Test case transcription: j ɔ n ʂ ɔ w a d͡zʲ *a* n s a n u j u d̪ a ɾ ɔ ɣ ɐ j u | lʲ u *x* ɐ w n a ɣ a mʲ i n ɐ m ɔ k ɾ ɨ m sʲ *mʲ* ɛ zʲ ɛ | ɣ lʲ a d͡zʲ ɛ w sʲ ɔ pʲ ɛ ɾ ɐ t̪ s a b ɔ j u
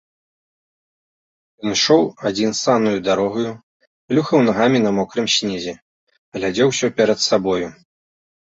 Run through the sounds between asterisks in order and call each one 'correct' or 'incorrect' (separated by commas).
incorrect, correct, incorrect